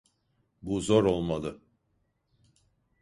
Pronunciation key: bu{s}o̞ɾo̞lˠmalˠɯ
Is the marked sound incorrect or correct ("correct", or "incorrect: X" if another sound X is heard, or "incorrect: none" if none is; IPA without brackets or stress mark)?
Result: incorrect: z